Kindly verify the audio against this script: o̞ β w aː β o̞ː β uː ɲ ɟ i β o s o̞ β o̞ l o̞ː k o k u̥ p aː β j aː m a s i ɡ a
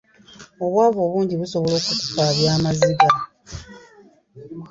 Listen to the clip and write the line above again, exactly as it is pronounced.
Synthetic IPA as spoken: o̞ β w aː β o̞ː β uː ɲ ɟ i β u s o̞ β o̞ l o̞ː k u k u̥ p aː β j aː m a z i ɡ a